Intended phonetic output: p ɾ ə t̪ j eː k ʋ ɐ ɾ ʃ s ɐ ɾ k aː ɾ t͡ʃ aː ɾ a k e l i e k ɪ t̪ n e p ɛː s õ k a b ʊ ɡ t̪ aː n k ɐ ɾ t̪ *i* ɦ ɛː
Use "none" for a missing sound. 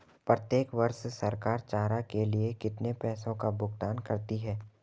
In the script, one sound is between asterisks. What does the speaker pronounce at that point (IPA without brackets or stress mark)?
i